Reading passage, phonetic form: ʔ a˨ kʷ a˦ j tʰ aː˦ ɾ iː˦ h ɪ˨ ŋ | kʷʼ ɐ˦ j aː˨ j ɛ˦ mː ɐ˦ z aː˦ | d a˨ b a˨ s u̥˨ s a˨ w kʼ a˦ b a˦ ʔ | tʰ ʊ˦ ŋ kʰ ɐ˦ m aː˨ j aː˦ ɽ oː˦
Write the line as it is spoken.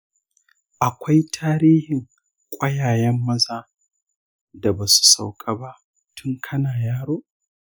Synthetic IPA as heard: ʔ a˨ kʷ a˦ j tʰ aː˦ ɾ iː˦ h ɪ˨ ŋ | kʷʼ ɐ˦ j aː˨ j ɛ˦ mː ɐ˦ z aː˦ | d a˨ b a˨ s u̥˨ s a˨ w kʼ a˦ b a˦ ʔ | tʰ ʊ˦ ŋ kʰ ɐ˦ n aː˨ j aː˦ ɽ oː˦